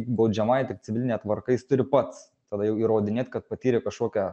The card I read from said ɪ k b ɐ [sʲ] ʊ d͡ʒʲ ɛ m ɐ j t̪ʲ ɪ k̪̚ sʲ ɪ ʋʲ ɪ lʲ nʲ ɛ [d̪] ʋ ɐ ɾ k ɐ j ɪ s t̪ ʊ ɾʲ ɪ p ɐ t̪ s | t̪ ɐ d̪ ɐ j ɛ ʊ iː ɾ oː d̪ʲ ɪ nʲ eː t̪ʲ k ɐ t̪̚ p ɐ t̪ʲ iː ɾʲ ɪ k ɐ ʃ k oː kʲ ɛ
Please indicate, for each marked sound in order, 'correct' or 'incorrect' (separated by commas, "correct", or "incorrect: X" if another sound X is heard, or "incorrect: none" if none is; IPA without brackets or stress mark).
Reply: incorrect: none, incorrect: t̪